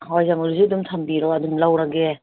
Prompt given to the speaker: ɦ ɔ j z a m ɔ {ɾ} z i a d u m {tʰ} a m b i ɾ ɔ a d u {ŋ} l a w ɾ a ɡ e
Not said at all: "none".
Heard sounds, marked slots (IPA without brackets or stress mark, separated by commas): ɾ, tʰ, m